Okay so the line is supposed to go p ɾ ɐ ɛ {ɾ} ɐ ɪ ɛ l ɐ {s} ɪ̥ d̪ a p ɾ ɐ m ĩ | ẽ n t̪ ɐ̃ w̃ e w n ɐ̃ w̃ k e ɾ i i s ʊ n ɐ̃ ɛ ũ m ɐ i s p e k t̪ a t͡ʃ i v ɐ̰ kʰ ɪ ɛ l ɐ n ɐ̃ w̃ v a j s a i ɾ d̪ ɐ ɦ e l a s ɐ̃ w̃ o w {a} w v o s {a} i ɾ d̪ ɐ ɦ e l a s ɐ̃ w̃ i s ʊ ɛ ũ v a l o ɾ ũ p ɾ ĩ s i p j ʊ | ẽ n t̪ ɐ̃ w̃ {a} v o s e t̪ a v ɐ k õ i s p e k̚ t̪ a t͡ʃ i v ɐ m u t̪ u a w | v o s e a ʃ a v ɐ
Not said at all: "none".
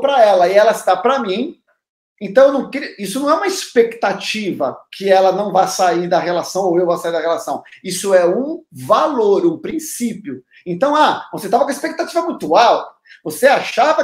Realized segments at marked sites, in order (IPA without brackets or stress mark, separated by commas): l, s, e, a, a